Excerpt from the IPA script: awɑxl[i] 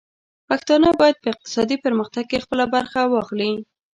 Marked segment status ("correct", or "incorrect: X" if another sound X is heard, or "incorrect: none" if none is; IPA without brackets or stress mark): correct